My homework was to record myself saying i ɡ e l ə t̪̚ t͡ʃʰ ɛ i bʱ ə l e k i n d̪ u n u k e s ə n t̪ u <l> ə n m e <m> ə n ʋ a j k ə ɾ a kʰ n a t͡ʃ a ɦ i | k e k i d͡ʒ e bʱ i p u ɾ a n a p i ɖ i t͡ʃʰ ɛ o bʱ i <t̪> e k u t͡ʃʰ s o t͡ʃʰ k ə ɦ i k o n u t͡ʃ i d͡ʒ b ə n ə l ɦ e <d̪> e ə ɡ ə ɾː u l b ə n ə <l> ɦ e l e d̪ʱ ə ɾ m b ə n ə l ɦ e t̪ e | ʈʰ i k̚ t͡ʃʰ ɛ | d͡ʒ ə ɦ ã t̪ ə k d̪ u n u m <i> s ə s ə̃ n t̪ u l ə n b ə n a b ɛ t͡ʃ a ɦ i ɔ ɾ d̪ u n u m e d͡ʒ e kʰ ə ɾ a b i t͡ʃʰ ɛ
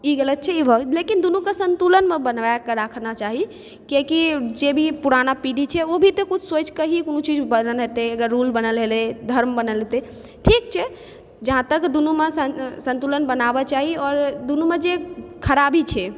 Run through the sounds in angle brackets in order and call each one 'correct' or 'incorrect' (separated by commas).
correct, incorrect, correct, incorrect, correct, incorrect